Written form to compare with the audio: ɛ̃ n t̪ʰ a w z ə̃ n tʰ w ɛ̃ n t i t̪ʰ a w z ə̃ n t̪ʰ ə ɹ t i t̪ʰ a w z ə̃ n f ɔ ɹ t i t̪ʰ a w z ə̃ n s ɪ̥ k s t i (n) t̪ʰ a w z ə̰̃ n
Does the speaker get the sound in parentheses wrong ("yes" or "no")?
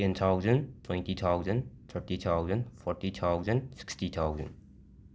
yes